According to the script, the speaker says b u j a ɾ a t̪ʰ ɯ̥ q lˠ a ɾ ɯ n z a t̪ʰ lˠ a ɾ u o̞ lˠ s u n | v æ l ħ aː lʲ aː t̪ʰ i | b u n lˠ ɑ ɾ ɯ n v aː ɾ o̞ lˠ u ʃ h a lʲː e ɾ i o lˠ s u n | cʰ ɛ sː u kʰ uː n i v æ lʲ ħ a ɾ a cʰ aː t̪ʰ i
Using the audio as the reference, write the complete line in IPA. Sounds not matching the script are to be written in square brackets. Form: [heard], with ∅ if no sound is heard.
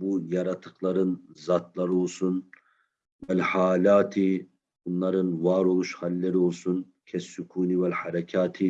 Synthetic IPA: b u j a ɾ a t̪ʰ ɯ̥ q lˠ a ɾ ɯ n z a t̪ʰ lˠ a ɾ [ɯ] o̞ lˠ s u n | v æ l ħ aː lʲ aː t̪ʰ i | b u n lˠ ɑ ɾ ɯ n v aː ɾ o̞ lˠ u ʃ h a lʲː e ɾ i o lˠ s u n | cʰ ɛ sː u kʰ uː n i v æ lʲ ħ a ɾ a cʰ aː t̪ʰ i